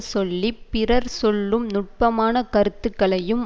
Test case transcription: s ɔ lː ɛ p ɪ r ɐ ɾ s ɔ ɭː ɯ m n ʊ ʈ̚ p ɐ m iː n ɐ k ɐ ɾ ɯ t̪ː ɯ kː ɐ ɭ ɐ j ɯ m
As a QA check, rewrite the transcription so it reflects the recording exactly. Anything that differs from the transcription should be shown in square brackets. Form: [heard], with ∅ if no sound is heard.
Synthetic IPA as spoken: s ɔ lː [i] p ɪ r ɐ ɾ s ɔ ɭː ɯ m n ʊ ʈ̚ p ɐ m [aː] n ɐ k ɐ ɾ ɯ t̪ː ɯ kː ɐ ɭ ɐ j ɯ m